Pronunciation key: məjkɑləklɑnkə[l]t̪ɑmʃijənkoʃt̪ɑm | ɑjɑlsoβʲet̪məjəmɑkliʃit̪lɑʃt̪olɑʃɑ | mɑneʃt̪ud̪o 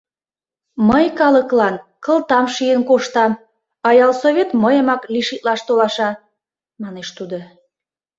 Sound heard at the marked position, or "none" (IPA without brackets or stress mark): l